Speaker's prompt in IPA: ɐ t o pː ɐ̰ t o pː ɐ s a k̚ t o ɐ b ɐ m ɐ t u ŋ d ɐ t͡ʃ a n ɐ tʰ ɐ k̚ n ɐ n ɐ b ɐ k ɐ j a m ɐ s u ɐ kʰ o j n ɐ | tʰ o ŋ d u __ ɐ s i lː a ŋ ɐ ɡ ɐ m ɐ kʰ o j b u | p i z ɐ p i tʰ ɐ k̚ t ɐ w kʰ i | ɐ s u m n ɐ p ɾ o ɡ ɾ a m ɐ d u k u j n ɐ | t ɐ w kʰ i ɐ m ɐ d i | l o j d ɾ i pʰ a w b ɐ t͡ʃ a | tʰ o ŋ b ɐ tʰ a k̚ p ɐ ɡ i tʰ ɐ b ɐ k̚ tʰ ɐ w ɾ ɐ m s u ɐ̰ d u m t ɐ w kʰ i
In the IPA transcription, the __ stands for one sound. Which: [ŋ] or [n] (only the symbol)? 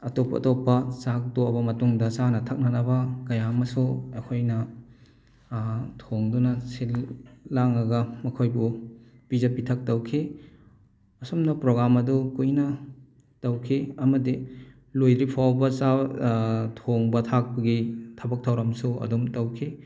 n